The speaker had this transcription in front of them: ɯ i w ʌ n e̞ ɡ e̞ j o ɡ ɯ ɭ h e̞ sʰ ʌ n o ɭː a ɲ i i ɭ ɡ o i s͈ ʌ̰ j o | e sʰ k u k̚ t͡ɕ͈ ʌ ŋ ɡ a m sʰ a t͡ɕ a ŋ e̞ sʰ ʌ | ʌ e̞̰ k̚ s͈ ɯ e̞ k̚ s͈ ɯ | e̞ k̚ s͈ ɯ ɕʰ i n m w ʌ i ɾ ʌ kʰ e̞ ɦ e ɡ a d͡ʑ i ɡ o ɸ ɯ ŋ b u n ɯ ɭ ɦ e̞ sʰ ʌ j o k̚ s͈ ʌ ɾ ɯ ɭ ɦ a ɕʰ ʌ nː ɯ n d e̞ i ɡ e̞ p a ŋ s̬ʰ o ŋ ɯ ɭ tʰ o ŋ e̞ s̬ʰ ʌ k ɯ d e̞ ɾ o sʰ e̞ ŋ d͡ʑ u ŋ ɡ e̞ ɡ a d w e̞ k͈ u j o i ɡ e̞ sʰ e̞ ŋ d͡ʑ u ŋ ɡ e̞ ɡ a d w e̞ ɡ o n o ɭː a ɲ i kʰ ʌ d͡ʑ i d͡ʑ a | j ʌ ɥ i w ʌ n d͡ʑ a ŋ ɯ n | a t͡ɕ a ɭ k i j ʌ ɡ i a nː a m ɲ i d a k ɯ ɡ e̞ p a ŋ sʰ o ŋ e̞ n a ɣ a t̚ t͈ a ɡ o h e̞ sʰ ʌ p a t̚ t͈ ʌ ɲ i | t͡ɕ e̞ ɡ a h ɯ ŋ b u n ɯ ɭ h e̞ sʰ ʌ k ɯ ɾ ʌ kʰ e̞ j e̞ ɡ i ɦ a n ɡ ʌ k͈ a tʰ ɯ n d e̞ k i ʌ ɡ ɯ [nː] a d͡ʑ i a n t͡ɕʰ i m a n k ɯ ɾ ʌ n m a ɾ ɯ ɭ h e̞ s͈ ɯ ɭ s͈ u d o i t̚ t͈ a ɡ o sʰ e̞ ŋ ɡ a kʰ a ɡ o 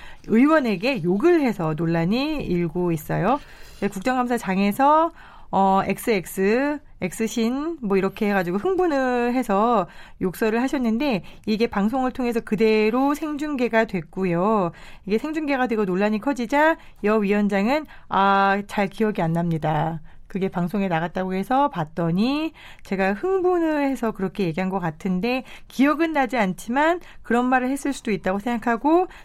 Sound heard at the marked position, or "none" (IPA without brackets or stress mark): nː